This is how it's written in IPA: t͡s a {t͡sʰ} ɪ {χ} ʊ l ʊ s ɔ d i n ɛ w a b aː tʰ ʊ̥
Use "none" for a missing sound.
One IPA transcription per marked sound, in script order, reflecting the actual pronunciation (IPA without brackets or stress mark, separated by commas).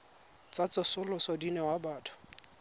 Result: t͡s, s